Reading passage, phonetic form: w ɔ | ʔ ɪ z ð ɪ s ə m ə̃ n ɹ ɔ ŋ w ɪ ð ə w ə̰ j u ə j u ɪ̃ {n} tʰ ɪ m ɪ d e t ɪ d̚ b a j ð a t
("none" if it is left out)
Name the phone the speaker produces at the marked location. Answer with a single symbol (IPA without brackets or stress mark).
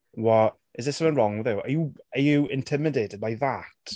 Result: n